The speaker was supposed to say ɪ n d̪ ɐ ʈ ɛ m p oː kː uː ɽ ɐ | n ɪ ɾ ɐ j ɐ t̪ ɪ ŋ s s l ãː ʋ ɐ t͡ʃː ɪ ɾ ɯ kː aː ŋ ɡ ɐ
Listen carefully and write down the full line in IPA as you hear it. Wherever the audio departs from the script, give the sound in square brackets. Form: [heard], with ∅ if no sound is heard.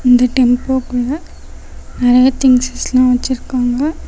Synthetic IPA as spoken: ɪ n d̪ ɐ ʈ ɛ m p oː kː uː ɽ ɐ | n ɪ ɾ ɐ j ɐ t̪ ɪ ŋ s s l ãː ʋ ɐ t͡ʃː ɪ ɾ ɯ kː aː ŋ ɡ ɐ